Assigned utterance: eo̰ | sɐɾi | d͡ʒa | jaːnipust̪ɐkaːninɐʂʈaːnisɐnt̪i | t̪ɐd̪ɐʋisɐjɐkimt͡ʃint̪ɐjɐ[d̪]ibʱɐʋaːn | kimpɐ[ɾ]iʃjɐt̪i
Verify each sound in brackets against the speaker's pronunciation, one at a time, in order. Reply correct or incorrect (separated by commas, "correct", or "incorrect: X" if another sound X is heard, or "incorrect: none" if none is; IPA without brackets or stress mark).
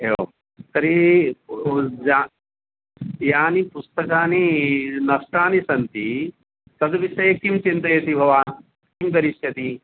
incorrect: t̪, correct